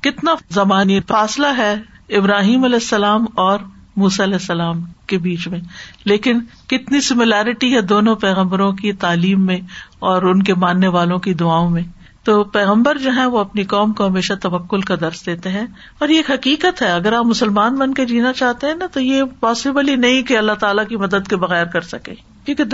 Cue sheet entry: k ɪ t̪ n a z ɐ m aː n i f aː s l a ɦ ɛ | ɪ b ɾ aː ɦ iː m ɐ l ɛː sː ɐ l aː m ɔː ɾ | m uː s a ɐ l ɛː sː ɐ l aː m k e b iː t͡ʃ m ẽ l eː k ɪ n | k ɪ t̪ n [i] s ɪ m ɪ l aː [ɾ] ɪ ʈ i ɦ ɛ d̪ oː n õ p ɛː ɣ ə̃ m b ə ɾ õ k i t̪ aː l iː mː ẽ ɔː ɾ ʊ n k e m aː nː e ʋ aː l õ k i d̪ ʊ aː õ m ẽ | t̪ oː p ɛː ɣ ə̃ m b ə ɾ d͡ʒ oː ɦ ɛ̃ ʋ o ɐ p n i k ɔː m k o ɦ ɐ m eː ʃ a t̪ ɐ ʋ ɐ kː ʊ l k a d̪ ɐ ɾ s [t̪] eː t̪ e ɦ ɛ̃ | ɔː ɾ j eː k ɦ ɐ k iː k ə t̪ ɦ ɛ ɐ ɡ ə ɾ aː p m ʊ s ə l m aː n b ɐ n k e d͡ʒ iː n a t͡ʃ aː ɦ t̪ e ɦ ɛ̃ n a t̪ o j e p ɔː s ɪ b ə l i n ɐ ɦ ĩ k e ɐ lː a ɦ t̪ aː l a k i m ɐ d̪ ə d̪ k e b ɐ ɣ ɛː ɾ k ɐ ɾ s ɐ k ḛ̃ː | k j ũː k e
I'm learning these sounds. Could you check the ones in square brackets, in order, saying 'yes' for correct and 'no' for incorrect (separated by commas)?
yes, yes, no